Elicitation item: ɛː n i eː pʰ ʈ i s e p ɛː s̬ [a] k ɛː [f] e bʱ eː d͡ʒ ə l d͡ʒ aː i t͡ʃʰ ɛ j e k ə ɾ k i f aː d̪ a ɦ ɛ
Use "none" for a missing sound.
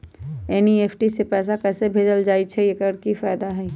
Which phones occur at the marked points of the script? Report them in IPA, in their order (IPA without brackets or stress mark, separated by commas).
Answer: a, s